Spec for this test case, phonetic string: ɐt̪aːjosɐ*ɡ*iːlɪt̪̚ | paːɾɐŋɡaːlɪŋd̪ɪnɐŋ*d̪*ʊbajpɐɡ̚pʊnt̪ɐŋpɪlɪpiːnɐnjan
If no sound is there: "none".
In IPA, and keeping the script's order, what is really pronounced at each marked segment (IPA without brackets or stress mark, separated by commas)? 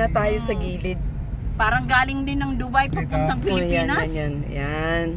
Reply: ɡ, d̪